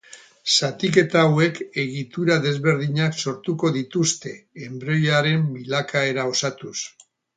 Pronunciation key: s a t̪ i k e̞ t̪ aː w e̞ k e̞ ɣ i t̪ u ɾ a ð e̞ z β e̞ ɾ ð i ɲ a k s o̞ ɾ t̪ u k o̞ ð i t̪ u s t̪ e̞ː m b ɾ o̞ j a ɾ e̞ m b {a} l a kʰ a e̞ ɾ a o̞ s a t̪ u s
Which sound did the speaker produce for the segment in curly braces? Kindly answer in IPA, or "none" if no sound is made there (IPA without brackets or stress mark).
i